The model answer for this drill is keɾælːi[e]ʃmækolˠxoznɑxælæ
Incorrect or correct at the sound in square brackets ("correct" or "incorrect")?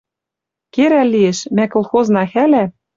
correct